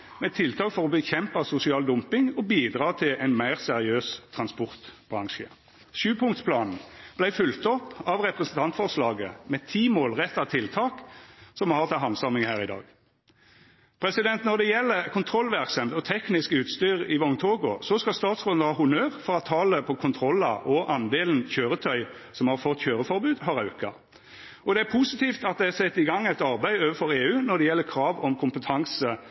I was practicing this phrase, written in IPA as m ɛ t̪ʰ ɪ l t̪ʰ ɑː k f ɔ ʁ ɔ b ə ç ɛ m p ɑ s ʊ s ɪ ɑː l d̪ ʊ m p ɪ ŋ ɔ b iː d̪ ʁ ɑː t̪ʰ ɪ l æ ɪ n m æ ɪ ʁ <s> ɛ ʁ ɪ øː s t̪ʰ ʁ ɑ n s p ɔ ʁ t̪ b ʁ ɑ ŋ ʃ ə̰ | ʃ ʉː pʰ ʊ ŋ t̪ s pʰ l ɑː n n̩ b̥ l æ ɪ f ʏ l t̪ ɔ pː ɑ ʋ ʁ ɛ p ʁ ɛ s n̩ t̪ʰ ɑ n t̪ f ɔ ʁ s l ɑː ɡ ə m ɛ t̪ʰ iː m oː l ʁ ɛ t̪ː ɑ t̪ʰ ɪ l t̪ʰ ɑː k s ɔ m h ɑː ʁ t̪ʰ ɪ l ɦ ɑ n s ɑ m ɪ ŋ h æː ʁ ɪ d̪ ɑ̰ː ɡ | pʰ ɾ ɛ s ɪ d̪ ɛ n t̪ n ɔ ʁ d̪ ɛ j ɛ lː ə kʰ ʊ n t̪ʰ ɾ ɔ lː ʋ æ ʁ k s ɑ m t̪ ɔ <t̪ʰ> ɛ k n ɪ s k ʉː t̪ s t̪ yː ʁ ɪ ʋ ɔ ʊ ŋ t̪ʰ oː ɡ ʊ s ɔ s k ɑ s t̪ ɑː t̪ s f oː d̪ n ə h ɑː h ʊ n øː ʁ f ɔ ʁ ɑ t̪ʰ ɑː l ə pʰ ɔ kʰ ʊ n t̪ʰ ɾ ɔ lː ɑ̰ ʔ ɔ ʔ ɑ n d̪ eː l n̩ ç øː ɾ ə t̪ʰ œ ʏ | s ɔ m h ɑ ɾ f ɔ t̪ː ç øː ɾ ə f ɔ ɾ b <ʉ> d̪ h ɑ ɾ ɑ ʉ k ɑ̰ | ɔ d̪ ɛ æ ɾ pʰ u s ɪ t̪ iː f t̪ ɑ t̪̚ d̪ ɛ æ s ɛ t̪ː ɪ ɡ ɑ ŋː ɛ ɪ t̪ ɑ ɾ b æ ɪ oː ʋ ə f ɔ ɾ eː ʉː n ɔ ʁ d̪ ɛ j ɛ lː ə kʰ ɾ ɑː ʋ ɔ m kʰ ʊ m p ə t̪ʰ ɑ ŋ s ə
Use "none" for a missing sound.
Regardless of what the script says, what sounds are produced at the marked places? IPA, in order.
s, t̪ʰ, ʉː

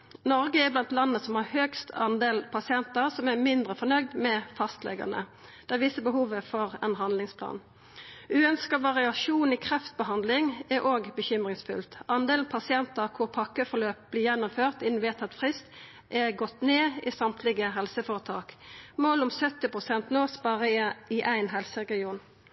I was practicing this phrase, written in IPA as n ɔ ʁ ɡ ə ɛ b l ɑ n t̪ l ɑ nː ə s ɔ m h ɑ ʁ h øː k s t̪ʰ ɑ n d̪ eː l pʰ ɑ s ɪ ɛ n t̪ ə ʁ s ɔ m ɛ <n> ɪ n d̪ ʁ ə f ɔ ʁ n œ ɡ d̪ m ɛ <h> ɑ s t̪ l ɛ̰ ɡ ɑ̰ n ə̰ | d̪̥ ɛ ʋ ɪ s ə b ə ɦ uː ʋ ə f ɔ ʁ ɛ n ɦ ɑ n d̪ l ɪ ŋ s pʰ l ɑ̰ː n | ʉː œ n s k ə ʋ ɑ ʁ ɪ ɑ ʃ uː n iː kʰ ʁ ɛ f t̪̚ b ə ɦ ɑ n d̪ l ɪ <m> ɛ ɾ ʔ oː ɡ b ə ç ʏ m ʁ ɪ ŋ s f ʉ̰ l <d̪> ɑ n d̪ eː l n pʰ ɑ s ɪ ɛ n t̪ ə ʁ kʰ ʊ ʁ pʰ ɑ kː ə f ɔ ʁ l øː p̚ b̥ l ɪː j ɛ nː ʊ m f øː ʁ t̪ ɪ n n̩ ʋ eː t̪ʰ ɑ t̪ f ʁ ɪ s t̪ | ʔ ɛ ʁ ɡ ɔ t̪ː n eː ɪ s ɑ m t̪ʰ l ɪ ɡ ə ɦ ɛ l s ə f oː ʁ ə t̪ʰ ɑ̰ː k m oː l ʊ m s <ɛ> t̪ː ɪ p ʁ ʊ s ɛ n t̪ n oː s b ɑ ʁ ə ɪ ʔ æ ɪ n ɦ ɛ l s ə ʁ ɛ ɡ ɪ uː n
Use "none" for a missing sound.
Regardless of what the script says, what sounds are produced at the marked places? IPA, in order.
m, f, ŋ, t̪, œ

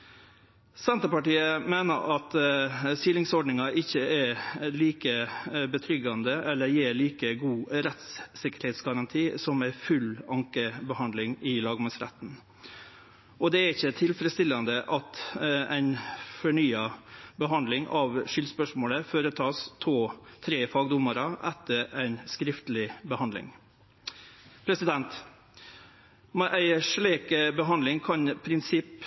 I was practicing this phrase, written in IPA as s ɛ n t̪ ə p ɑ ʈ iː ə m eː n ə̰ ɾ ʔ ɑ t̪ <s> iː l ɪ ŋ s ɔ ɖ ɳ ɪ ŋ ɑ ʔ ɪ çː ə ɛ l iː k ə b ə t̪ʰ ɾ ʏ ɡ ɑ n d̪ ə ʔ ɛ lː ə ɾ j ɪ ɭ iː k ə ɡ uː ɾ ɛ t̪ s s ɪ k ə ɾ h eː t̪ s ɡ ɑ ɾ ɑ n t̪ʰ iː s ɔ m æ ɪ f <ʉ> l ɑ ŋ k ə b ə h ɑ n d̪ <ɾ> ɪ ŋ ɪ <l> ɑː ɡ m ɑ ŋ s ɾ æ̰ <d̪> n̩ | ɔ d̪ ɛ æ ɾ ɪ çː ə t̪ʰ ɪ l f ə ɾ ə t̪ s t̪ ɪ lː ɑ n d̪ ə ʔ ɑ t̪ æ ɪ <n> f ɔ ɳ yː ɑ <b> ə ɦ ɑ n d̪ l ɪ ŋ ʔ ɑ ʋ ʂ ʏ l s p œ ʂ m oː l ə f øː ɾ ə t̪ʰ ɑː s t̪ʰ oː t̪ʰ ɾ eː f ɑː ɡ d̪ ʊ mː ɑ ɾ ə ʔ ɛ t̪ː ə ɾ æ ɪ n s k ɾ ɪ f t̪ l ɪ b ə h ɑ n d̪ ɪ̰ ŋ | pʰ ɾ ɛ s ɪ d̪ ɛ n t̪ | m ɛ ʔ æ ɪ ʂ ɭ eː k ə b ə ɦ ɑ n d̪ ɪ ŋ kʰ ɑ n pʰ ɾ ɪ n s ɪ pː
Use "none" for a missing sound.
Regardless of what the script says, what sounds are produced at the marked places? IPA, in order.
s, ʉ, l, l, t̪, n, b

